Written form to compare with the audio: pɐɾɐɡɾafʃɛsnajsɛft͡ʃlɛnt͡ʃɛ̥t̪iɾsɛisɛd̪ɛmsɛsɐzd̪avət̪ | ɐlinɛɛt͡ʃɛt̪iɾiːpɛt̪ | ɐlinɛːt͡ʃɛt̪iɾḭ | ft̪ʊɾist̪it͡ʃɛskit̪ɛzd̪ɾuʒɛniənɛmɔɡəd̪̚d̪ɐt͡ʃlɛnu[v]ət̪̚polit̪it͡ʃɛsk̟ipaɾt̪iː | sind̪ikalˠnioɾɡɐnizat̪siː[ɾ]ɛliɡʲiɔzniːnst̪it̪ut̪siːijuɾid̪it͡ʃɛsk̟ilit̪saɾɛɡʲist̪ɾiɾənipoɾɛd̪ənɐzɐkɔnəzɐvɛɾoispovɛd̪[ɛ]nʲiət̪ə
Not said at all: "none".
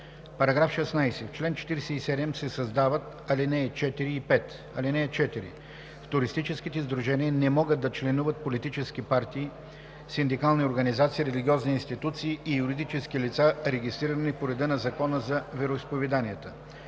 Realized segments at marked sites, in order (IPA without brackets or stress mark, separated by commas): v, ɾ, a